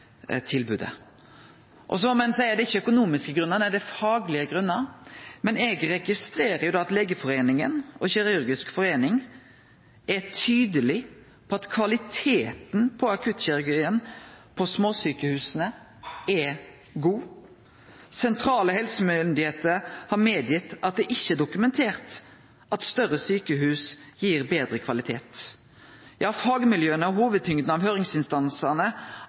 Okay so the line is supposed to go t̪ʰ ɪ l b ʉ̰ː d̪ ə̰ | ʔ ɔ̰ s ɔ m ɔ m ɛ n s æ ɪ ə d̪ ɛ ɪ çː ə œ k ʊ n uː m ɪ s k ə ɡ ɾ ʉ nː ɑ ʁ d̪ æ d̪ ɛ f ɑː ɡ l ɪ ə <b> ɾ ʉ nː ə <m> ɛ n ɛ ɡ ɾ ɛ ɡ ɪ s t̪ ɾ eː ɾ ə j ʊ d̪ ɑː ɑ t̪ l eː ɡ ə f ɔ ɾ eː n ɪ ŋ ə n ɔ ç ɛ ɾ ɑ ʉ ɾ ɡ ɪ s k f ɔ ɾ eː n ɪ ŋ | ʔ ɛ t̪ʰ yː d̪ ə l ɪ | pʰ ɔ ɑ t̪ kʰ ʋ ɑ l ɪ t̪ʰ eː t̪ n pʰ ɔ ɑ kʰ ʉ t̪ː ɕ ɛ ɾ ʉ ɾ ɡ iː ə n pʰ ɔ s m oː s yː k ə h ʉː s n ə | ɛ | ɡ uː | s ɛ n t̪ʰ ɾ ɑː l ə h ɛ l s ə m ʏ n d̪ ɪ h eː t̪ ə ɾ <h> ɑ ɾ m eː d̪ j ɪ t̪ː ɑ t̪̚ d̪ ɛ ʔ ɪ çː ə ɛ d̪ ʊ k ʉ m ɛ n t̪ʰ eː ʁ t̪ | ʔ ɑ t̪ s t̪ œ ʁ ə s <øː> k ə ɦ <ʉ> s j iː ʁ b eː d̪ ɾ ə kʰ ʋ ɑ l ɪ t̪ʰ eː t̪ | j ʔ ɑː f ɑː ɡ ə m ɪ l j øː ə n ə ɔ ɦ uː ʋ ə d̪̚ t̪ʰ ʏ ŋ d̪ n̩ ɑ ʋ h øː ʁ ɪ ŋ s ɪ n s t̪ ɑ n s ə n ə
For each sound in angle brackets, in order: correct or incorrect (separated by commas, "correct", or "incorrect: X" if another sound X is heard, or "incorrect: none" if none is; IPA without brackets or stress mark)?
incorrect: ɡ, correct, correct, incorrect: yː, incorrect: ʉː